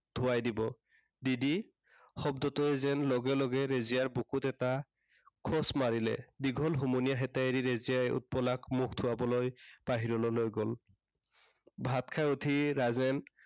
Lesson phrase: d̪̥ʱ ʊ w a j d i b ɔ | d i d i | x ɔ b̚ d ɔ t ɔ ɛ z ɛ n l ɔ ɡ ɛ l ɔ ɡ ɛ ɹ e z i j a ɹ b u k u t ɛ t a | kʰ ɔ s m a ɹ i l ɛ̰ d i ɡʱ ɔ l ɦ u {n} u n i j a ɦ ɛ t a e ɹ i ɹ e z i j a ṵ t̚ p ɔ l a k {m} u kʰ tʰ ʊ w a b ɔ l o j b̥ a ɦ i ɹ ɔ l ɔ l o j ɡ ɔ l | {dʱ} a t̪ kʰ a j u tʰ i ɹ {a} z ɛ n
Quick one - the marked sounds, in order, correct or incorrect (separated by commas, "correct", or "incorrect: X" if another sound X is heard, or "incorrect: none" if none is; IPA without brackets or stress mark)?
incorrect: m, correct, incorrect: bʱ, correct